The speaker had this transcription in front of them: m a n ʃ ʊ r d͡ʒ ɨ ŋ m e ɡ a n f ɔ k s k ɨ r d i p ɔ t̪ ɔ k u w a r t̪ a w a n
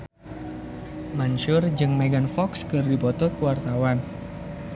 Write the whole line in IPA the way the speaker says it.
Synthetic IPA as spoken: m a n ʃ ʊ r d͡ʒ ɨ ŋ m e ɡ a n f ɔ k s k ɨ r d i p ɔ t̪ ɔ k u w a r t̪ a w a n